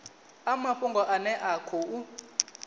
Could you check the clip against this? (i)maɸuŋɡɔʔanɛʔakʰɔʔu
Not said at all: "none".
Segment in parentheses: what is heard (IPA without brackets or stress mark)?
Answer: a